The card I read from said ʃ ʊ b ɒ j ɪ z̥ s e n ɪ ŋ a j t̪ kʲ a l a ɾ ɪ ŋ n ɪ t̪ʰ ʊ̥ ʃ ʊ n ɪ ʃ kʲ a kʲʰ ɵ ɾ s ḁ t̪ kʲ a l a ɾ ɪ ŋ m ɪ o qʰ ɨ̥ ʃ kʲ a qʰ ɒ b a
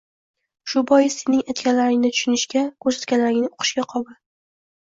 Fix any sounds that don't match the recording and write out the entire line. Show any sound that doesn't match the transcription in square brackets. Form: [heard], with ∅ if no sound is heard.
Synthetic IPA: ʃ ʊ b ɒ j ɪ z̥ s e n ɪ ŋ a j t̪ kʲ a l a ɾ ɪ ŋ n ɪ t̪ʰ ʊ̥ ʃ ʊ n ɪ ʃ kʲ a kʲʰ ɵ ɾ s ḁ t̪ kʲ a l a ɾ ɪ ŋ [n] ɪ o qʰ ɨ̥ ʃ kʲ a qʰ ɒ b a